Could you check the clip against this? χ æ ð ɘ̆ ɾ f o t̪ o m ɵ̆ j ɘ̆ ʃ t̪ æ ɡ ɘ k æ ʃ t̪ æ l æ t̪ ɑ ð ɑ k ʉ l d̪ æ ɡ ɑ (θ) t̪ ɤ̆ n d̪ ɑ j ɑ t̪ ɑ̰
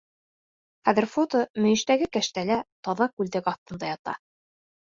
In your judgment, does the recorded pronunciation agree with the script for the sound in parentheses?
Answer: yes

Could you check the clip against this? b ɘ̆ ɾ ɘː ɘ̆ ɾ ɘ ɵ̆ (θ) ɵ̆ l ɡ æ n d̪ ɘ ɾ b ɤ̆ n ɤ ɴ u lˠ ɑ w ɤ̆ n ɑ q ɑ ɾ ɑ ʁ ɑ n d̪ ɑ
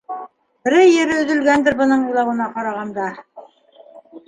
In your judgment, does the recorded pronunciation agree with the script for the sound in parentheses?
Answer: no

